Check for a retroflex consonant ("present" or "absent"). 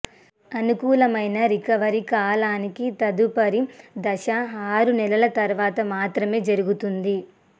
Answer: absent